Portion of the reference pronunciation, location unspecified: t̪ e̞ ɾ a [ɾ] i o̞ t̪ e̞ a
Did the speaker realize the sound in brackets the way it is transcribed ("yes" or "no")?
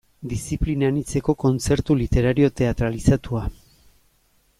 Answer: yes